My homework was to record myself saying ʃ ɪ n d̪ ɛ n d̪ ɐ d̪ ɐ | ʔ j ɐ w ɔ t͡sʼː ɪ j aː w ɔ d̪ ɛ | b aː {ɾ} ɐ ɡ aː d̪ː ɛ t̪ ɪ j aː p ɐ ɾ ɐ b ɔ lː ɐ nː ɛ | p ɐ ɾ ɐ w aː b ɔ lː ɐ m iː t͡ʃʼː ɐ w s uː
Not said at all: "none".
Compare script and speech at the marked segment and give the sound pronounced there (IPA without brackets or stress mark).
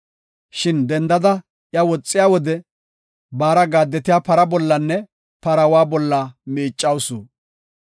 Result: ɾ